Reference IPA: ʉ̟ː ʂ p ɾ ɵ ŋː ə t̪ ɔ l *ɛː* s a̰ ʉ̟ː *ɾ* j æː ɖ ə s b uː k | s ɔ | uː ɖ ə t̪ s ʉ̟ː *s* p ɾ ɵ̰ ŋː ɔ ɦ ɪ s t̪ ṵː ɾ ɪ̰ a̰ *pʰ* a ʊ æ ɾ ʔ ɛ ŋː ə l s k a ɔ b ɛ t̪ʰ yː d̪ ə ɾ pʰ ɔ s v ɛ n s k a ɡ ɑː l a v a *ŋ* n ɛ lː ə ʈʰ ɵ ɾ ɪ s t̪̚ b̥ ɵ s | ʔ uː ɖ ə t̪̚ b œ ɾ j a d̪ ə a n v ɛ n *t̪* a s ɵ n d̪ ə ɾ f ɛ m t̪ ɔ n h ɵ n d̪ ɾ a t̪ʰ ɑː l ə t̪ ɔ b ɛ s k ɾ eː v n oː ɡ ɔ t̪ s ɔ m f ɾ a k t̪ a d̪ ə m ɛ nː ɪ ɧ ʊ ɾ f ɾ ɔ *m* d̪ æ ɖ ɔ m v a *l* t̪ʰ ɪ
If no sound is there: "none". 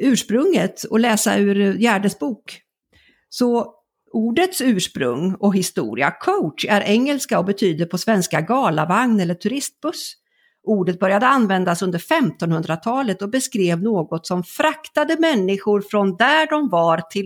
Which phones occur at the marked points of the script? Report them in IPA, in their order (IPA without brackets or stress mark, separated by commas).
ɛː, ɾ, ʂ, kʰ, ŋ, d̪, n, ɾ